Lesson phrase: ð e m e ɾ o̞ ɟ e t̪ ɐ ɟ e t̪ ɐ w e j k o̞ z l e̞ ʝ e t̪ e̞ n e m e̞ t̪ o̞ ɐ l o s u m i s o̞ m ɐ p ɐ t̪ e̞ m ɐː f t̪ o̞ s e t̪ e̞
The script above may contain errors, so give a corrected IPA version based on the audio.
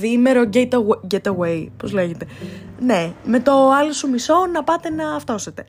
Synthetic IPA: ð i m e ɾ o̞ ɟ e t̪ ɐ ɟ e t̪ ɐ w e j p o̞ z l e̞ ʝ e t̪ e̞ n e m e̞ t̪ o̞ ɐ l o s u m i s o̞ n ɐ p ɐ t̪ e̞ n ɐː f t̪ o̞ s e t̪ e̞